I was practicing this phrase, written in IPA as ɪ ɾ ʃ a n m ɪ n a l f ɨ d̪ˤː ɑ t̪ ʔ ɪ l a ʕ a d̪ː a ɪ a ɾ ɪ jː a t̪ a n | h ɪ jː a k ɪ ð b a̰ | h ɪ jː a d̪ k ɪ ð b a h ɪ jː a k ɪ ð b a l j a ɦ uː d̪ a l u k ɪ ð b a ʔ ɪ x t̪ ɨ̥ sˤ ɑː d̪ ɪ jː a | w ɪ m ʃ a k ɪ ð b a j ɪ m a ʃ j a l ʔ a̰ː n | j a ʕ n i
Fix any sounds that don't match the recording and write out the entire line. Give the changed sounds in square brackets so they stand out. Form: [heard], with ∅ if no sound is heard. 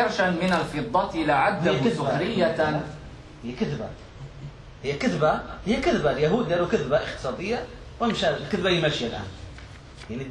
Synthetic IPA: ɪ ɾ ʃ a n m ɪ n a l f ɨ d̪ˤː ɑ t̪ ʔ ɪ l a ʕ a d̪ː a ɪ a ɾ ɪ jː a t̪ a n | h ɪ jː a k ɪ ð b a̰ | h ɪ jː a [∅] k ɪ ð b a h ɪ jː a k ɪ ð b a l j a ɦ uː d̪ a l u k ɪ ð b a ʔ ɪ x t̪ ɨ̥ sˤ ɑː d̪ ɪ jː a | w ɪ m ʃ a k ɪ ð b a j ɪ m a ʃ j a l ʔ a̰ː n | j a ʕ n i

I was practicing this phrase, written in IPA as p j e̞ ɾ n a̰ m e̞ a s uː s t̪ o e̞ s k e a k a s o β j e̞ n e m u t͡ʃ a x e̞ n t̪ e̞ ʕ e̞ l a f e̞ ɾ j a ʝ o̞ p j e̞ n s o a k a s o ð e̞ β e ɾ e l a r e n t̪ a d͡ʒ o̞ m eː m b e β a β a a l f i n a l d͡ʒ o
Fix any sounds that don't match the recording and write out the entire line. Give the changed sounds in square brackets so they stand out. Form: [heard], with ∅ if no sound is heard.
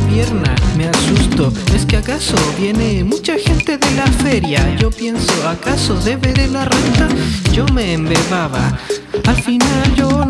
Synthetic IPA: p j e̞ ɾ n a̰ m e̞ a s [u] s t̪ o e̞ s k e a k a s o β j e̞ n e m u t͡ʃ a x e̞ n t̪ e̞ [ð] e̞ l a f e̞ ɾ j a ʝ o̞ p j e̞ n s o a k a s o ð e̞ β e ɾ e l a r e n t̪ a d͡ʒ o̞ m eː m b e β a β a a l f i n a l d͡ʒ o

